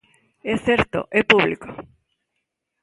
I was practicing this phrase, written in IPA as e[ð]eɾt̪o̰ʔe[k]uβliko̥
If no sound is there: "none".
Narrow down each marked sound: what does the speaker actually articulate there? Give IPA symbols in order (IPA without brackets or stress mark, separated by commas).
θ, p